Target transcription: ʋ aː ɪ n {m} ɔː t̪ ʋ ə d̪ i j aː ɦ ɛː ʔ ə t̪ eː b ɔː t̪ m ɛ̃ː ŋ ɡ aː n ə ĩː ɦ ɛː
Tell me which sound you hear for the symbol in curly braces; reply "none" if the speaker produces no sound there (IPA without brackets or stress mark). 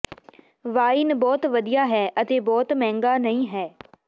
b